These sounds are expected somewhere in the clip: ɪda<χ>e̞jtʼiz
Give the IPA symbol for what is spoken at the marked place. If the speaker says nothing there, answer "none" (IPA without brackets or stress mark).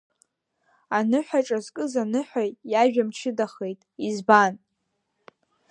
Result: χ